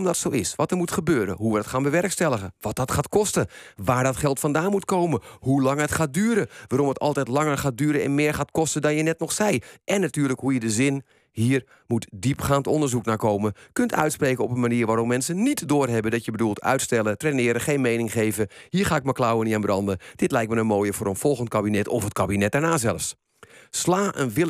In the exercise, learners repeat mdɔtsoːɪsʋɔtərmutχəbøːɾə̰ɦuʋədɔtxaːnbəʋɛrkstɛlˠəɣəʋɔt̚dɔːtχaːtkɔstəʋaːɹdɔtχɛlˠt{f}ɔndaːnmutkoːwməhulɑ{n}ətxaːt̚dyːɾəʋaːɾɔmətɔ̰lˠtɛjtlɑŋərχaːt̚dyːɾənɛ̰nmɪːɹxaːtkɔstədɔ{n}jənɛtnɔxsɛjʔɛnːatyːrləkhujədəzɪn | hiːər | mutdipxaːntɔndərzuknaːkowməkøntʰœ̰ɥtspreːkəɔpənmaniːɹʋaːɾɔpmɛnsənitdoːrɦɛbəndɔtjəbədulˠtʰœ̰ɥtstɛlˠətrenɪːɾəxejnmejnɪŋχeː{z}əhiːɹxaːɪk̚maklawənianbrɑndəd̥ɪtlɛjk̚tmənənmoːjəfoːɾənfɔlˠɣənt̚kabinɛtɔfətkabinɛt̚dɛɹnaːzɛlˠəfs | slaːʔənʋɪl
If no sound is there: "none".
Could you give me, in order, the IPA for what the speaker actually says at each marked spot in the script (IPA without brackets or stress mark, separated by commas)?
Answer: f, ŋ, n, v